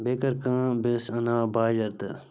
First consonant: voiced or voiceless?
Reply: voiced